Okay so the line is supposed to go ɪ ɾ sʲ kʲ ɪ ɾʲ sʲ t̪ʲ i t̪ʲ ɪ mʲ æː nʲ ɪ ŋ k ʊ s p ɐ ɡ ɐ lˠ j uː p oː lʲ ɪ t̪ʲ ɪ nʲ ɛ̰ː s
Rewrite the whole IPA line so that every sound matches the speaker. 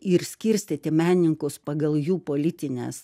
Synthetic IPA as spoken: ɪ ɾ sʲ kʲ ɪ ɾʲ sʲ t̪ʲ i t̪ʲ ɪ mʲ æː nʲ ɪ ŋ k ʊ s p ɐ ɡ ɐ lˠ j uː p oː lʲ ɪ t̪ʲ ɪ nʲ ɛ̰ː s

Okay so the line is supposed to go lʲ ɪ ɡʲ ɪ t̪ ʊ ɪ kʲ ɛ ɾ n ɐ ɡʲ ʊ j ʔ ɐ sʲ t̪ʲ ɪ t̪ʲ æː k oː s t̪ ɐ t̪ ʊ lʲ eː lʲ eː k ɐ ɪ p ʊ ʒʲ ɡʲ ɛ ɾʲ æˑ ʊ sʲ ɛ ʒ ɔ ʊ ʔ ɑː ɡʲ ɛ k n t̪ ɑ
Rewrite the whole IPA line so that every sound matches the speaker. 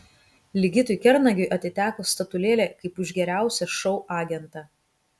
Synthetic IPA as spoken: lʲ ɪ ɡʲ ɪ t̪ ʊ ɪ kʲ ɛ ɾ n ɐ ɡʲ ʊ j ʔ ɐ t̪ʲ ɪ t̪ʲ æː k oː s t̪ ɐ t̪ ʊ lʲ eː lʲ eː k ɐ ɪ p ʊ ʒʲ ɡʲ ɛ ɾʲ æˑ ʊ sʲ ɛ ʃ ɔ ʊ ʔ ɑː ɡʲ ɛ n t̪ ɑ

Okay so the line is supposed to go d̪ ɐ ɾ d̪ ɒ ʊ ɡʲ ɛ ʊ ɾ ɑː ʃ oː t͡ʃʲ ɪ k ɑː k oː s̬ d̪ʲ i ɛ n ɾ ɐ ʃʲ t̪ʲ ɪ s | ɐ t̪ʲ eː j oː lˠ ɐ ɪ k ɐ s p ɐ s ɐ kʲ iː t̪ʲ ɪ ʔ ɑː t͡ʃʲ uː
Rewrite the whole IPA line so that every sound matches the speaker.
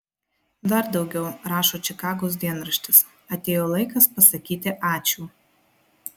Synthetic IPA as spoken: d̪ ɐ ɾ d̪ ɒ ʊ ɡʲ ɛ ʊ ɾ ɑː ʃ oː t͡ʃʲ ɪ k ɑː ɡ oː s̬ d̪ʲ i ɛ n ɾ ɐ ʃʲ t̪ʲ ɪ s | ɐ t̪ʲ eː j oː lˠ ɐ ɪ k ɐ s p ɐ s ɐ kʲ iː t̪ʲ ɪ ʔ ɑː t͡ʃʲ uː

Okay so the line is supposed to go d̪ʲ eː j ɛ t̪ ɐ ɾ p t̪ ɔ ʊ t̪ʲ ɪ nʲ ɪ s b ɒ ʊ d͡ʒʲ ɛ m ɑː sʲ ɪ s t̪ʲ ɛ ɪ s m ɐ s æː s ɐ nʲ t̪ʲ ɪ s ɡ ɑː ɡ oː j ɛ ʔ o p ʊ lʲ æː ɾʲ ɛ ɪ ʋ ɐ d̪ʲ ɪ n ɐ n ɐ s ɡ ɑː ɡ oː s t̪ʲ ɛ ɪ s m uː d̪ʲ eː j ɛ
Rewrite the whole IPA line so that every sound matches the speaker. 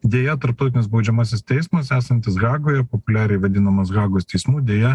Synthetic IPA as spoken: d̪ʲ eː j ɛ t̪ ɐ ɾ p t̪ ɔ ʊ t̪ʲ ɪ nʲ ɪ s b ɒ ʊ d͡ʒʲ ɛ m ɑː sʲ ɪ s t̪ʲ ɛ ɪ s m ɐ s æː s ɐ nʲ t̪ʲ ɪ s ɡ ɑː ɡ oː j ɛ p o p ʊ lʲ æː ɾʲ ɛ ɪ ʋ ɐ d̪ʲ ɪ n ɐ m ɐ s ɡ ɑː ɡ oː s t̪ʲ ɛ ɪ s m uː d̪ʲ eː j ɛ

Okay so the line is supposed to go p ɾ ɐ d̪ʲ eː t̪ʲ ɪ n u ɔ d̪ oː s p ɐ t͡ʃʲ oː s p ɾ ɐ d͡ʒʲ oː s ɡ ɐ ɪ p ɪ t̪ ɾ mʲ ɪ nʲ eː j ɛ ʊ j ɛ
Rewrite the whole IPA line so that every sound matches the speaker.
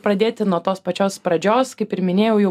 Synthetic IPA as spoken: p ɾ ɐ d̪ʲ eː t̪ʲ ɪ n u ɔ t̪ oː s p ɐ t͡ʃʲ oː s p ɾ ɐ d͡ʒʲ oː s k ɐ ɪ p ɪ ɾ mʲ ɪ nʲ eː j ɛ ʊ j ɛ

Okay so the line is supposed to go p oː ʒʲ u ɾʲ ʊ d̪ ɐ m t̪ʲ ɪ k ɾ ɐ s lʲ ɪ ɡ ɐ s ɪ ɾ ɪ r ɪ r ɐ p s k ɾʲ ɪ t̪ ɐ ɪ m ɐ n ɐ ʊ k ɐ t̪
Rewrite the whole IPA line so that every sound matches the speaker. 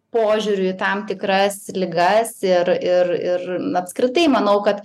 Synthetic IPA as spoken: p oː ʒʲ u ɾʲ ʊ t̪ ɐ m t̪ʲ ɪ k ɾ ɐ s lʲ ɪ ɡ ɐ s ɪ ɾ ɪ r ɪ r ɐ p s k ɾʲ ɪ t̪ ɐ ɪ m ɐ n ɐ ʊ k ɐ t̪

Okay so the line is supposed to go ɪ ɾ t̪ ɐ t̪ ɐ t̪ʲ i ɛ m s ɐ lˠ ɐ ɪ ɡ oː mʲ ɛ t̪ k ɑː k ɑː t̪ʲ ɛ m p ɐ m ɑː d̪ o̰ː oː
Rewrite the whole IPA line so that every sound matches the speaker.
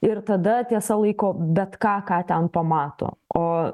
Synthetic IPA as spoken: ɪ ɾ t̪ ɐ d̪ ɐ t̪ʲ i ɛ s ɐ lˠ ɐ ɪ k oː bʲ ɛ t̪ k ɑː k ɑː t̪ʲ ɛ n p ɐ m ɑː t̪ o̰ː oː

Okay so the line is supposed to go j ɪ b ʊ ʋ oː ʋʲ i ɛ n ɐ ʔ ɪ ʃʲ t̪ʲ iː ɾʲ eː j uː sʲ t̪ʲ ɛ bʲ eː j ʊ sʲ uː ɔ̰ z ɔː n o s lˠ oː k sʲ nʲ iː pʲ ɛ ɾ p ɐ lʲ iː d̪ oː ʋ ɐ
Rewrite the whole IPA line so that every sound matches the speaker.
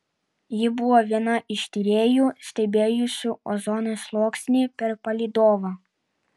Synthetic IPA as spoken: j ɪ b ʊ ʋ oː ʋʲ i ɛ n ɐ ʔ ɪ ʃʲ t̪ʲ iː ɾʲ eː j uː sʲ t̪ʲ ɛ bʲ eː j ʊ sʲ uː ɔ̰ z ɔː n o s lˠ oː k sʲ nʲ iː pʲ ɛ ɾ p ɐ lʲ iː d̪ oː ʋ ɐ

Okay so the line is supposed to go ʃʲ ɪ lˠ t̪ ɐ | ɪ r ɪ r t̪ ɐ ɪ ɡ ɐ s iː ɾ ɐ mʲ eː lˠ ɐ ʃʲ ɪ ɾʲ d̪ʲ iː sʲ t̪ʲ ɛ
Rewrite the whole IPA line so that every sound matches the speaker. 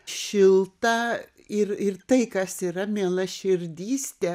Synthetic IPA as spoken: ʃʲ ɪ lˠ t̪ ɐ | ɪ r ɪ r t̪ ɐ ɪ k ɐ s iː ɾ ɐ mʲ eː lˠ ɐ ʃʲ ɪ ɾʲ d̪ʲ iː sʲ t̪ʲ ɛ

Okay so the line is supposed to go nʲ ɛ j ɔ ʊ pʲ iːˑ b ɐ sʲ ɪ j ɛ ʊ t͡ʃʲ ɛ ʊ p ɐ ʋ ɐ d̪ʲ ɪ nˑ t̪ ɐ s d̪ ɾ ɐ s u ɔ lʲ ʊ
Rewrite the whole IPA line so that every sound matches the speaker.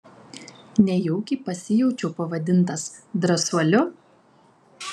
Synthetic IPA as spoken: nʲ ɛ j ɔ ʊ kʲ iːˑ p ɐ sʲ ɪ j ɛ ʊ t͡ʃʲ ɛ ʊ p ɐ ʋ ɐ d̪ʲ ɪ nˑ t̪ ɐ s d̪ ɾ ɐ s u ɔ lʲ ʊ

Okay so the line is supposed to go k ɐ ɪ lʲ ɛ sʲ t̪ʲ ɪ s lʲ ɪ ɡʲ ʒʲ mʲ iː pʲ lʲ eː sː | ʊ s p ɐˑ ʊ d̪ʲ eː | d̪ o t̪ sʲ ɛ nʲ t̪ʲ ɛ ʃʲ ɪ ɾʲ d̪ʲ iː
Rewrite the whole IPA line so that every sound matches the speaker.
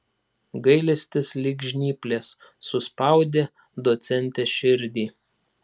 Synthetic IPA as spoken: ɡ ɐ ɪ lʲ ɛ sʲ t̪ʲ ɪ s lʲ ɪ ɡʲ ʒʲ nʲ iː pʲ lʲ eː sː | ʊ s p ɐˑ ʊ d̪ʲ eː | d̪ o t̪ sʲ ɛ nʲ t̪ʲ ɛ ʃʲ ɪ ɾʲ d̪ʲ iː

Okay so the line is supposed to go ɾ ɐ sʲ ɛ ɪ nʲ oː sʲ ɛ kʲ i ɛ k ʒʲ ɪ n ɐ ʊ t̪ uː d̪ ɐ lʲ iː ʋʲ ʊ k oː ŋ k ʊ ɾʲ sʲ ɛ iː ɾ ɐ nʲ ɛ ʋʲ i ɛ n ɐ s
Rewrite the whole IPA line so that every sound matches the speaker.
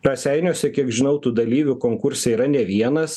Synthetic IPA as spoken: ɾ ɐ sʲ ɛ ɪ nʲ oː sʲ ɛ kʲ i ɛ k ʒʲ ɪ n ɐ ʊ t̪ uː d̪ ɐ lʲ iː ʋʲ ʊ k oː ŋ k ʊ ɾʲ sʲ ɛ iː ɾ ɐ nʲ ɛ ʋʲ i ɛ n ɐ s

